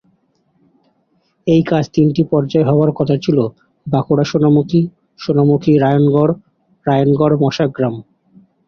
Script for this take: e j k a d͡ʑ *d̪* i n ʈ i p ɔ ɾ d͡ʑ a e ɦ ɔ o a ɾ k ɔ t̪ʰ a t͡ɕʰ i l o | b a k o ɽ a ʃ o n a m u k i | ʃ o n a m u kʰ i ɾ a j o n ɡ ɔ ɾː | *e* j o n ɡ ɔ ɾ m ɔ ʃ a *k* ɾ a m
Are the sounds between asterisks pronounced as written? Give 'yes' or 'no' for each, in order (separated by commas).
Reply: no, no, no